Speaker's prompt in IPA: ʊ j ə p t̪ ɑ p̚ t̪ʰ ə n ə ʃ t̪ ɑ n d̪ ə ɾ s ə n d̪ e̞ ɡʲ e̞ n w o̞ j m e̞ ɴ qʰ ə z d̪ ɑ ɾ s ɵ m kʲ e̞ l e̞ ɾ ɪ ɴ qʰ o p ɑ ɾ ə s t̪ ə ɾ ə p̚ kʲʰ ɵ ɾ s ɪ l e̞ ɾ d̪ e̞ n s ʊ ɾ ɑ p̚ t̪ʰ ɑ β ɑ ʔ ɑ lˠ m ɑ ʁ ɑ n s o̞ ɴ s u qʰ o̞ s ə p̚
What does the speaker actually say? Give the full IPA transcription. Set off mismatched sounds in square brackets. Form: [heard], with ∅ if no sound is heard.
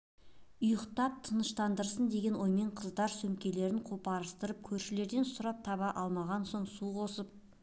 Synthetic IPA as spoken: ʊ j ə [q] t̪ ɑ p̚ t̪ʰ ə n ə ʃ t̪ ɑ n d̪ ə ɾ s ə n d̪ e̞ ɡʲ e̞ n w o̞ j m e̞ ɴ qʰ ə z d̪ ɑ ɾ s ɵ m kʲ e̞ l e̞ ɾ ɪ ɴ qʰ o p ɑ ɾ ə s t̪ ə ɾ ə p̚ kʲʰ ɵ ɾ [ʃ] ɪ l e̞ ɾ d̪ e̞ n s ʊ ɾ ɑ p̚ t̪ʰ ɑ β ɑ ʔ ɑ lˠ m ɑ ʁ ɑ n s o̞ ɴ s u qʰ o̞ s ə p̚

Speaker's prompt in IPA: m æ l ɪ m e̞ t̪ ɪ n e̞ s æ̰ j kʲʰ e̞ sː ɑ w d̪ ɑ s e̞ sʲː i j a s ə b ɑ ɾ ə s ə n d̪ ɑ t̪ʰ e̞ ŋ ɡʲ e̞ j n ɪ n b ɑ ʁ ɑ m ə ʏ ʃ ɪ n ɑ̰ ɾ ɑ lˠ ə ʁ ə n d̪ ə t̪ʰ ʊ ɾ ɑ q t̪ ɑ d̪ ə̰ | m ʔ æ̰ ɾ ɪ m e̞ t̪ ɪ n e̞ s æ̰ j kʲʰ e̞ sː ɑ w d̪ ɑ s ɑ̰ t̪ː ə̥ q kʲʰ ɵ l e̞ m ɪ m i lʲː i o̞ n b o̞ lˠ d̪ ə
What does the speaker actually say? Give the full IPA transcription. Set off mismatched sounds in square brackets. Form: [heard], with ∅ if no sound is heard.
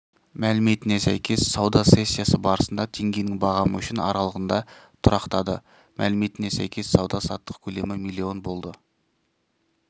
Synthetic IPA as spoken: m æ l ɪ m e̞ t̪ ɪ n e̞ s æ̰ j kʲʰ e̞ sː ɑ w d̪ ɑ s e̞ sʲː i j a s ə b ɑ ɾ ə s ə n d̪ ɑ t̪ʰ e̞ ŋ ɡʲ e̞ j n ɪ [ŋ] b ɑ ʁ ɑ m ə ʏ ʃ ɪ n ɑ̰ ɾ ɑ lˠ ə ʁ ə n d̪ [ɑ] t̪ʰ ʊ ɾ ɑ q t̪ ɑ d̪ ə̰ | m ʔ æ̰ [l] ɪ m e̞ t̪ ɪ n e̞ s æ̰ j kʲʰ e̞ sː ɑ w d̪ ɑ s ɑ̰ t̪ː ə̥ q kʲʰ ɵ l e̞ m ɪ m i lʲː i o̞ n b o̞ lˠ d̪ ə

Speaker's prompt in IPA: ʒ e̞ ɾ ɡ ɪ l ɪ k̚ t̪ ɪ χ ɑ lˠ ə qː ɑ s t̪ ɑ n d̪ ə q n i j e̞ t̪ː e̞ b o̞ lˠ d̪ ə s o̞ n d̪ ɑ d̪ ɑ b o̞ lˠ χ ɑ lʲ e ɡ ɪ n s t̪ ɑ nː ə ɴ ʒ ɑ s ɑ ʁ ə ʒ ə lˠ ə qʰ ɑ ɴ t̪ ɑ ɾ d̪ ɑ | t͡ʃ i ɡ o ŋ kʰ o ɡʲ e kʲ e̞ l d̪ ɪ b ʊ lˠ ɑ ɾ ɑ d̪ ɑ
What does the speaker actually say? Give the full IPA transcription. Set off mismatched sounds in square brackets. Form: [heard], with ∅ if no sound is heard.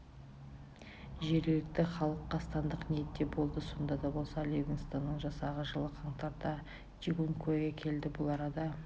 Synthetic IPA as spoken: ʒ e̞ ɾ ɡ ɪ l ɪ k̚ t̪ ɪ χ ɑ lˠ ə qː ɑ s t̪ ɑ n d̪ ə q n i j e̞ t̪ː e̞ b o̞ lˠ d̪ ə s o̞ n d̪ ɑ d̪ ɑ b o̞ lˠ [s] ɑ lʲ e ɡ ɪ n s t̪ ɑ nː ə ɴ ʒ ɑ s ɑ ʁ ə ʒ ə lˠ ə qʰ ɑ ɴ t̪ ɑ ɾ d̪ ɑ | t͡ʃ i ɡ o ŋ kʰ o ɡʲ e [kʲʰ] e̞ l d̪ ɪ b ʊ lˠ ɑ ɾ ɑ d̪ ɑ

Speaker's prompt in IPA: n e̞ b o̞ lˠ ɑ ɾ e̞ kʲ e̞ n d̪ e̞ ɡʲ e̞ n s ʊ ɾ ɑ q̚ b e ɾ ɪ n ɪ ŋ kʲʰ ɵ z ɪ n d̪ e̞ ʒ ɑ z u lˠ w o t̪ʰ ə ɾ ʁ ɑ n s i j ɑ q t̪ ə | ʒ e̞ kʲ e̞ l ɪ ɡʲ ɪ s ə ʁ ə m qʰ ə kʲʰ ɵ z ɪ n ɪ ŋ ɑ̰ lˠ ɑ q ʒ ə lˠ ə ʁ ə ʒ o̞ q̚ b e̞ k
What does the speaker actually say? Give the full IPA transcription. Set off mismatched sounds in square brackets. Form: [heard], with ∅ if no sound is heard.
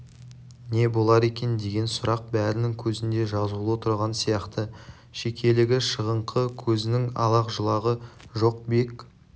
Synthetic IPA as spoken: n e̞ b o̞ lˠ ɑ ɾ e̞ kʲ e̞ n d̪ e̞ ɡʲ e̞ n s ʊ ɾ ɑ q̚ b [æ] ɾ ɪ n ɪ ŋ kʲʰ ɵ z ɪ n d̪ e̞ ʒ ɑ z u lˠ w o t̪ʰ ə ɾ ʁ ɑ n s i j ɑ q t̪ ə | [ʃ] e̞ kʲ e̞ l ɪ ɡʲ ɪ [ʃ] ə ʁ ə [ɴ] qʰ ə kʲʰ ɵ z ɪ n ɪ ŋ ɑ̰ lˠ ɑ q ʒ ə lˠ [ɑ] ʁ ə ʒ o̞ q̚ b e̞ k

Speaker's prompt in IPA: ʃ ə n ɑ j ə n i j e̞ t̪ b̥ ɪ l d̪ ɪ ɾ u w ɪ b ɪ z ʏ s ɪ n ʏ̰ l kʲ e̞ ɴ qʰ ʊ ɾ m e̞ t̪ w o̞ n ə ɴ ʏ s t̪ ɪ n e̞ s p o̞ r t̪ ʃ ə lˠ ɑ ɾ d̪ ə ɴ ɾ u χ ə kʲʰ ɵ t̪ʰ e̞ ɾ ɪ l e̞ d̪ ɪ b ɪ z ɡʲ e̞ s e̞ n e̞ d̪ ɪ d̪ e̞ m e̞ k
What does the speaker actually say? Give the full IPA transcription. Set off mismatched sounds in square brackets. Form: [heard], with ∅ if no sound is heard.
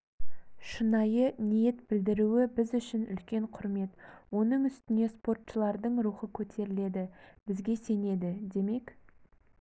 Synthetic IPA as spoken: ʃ ə n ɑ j ə n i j e̞ t̪ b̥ ɪ l d̪ ɪ ɾ u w ɪ b ɪ z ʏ [ʃ] ɪ n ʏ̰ l kʲ e̞ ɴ qʰ ʊ ɾ m e̞ t̪ w o̞ n ə ɴ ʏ s t̪ ɪ n e̞ s p o̞ r t̪ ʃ ə lˠ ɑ ɾ d̪ ə ɴ ɾ u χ ə kʲʰ ɵ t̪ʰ e̞ ɾ ɪ l e̞ d̪ ɪ b ɪ z ɡʲ e̞ s e̞ n e̞ d̪ ɪ d̪ e̞ m e̞ k

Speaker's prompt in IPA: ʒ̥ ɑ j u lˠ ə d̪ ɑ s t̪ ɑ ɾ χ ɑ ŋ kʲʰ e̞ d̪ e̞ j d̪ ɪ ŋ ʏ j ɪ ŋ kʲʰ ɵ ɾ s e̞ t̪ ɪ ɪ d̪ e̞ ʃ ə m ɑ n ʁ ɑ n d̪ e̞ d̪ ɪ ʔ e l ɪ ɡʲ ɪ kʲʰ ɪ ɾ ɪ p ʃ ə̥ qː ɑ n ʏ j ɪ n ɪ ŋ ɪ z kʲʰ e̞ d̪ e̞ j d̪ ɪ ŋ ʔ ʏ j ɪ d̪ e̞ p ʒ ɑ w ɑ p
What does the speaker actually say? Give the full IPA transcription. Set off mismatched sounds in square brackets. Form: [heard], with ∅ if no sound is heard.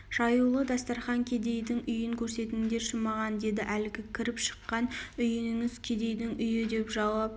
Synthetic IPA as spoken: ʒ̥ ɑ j u lˠ ə d̪ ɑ s t̪ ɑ ɾ χ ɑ ŋ kʲʰ e̞ d̪ e̞ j d̪ ɪ ŋ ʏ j ɪ ŋ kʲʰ ɵ ɾ s e̞ t̪ ɪ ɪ d̪ e̞ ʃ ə m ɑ [∅] ʁ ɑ n d̪ e̞ d̪ ɪ ʔ [æ] l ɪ ɡʲ ɪ kʲʰ ɪ ɾ ɪ p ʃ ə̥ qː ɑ n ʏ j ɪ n ɪ ŋ ɪ z kʲʰ e̞ d̪ e̞ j d̪ ɪ ŋ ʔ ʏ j ɪ d̪ e̞ p ʒ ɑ w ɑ p

